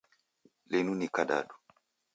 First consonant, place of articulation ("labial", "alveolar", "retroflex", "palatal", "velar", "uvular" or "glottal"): alveolar